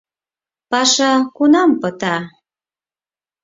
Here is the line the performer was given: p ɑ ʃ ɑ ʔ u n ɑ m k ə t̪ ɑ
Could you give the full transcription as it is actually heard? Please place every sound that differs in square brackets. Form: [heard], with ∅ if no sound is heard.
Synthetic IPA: p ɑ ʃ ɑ [k] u n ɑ m [p] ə t̪ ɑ